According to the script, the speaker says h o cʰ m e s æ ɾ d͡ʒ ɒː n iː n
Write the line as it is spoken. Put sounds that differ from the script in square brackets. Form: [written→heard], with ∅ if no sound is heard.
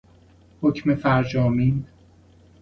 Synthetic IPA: h o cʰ m e [s→f] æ ɾ d͡ʒ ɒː [n→m] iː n